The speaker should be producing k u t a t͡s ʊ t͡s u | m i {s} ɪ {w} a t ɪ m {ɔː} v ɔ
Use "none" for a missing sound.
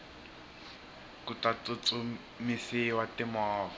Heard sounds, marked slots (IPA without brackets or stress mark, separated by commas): s, w, ɔː